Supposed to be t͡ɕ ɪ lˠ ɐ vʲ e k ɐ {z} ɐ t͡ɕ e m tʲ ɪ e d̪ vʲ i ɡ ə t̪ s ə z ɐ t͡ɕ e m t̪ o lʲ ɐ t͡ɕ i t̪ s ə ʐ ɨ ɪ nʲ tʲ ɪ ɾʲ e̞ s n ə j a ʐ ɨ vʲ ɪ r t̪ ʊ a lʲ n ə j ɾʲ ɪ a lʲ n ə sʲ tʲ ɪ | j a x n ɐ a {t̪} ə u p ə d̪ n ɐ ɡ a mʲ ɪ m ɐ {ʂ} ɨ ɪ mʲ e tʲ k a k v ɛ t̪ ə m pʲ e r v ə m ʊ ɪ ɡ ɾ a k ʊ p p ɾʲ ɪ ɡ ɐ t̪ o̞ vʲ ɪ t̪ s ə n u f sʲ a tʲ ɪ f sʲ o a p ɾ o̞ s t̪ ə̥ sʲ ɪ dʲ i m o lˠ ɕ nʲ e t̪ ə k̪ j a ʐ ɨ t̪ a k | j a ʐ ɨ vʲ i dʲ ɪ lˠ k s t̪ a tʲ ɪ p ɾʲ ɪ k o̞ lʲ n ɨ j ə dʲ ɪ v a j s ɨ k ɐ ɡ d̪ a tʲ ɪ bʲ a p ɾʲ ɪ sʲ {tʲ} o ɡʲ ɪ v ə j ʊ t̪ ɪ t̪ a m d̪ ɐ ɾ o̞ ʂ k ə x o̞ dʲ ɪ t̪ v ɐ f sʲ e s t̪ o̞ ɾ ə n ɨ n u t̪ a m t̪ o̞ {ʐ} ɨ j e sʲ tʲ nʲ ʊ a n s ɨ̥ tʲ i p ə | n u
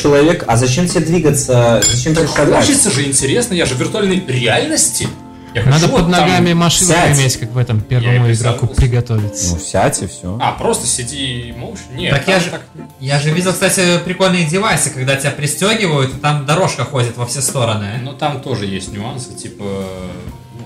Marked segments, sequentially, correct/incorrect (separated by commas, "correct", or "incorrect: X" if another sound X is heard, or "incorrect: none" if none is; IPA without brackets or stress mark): correct, incorrect: d̪, correct, correct, correct